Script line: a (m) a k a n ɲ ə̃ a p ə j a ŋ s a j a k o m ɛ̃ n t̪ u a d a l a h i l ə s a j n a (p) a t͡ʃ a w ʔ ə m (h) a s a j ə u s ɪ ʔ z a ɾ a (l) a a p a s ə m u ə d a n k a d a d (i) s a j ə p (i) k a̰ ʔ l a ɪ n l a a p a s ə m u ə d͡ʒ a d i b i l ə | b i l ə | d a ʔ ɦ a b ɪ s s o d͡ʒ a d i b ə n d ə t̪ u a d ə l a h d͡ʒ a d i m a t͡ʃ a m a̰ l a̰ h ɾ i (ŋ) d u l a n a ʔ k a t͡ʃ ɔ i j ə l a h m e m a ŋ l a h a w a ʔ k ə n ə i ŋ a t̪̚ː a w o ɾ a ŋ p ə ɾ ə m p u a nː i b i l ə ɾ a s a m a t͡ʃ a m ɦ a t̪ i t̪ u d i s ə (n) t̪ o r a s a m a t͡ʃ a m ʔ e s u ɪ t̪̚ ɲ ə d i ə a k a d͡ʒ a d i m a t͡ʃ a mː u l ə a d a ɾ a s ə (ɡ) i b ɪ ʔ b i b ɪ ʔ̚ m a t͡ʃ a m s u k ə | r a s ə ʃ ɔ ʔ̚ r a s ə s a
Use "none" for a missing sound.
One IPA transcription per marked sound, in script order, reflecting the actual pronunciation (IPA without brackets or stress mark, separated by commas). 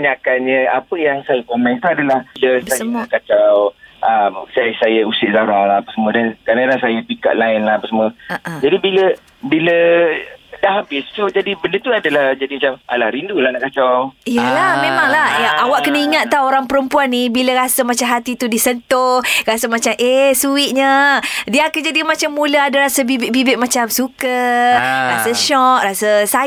ɲ, k, s, l, a, i, n, n, b